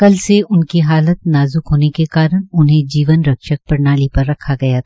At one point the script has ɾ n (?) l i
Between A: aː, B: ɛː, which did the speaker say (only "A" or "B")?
A